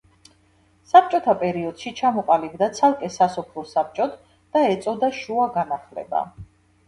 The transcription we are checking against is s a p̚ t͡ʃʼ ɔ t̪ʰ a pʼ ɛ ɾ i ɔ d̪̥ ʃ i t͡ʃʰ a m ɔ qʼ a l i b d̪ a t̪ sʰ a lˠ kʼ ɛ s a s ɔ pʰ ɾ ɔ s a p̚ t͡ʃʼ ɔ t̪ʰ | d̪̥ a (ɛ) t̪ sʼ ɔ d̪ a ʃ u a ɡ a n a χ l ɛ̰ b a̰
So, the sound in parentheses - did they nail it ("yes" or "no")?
yes